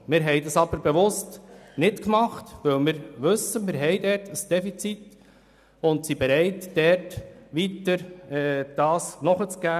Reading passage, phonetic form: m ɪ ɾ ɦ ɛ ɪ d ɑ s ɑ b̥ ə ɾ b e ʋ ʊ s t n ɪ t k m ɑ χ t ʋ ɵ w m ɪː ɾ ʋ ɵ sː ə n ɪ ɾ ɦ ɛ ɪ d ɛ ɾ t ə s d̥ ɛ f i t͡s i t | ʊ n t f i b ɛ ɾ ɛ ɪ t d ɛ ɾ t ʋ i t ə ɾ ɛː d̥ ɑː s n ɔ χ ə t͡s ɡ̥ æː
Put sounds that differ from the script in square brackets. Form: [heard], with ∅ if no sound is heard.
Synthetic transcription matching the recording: m ɪ ɾ ɦ ɛ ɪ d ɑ s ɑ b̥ ə ɾ b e ʋ ʊ s t n ɪ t k m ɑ χ t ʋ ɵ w m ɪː ɾ ʋ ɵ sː ə [m] ɪ ɾ ɦ ɛ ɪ d ɛ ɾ t ə s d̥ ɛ f i t͡s i t | ʊ n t [s] i b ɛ ɾ ɛ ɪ t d ɛ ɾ t ʋ i t ə ɾ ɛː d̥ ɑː s n ɔ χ ə t͡s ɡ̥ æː